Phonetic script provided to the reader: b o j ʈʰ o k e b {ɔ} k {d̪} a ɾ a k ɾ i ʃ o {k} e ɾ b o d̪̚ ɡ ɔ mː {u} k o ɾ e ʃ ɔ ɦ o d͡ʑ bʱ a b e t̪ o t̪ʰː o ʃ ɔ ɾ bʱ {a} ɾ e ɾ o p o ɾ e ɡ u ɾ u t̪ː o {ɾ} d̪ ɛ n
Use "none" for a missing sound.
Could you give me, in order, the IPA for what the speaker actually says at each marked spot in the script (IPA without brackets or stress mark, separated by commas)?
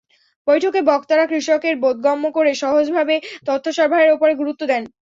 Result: ɔ, t̪, k, o, a, none